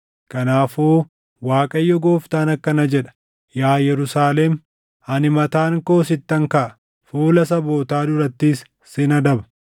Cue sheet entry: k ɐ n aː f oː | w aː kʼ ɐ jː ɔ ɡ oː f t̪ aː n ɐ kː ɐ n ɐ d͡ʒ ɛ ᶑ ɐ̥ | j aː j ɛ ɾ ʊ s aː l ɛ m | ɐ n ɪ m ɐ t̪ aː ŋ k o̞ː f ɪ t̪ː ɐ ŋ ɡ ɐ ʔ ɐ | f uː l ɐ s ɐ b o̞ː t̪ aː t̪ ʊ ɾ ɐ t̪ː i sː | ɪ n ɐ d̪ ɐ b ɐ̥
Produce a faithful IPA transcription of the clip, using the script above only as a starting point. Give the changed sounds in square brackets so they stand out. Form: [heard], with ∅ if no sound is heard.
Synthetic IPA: k ɐ n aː f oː | w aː kʼ ɐ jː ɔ ɡ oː f t̪ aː n ɐ kː ɐ n ɐ d͡ʒ ɛ ᶑ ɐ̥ | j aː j ɛ ɾ ʊ s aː l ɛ m | ɐ n ɪ m ɐ t̪ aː ŋ k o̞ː [s] ɪ t̪ː ɐ ŋ [k] ɐ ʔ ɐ | f uː l ɐ s ɐ b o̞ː t̪ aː [d̪] ʊ ɾ ɐ t̪ː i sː | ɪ n ɐ d̪ ɐ b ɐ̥